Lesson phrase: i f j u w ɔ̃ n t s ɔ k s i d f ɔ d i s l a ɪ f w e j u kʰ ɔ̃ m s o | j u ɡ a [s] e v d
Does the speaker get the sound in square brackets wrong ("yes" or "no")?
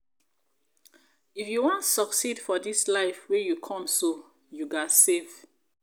no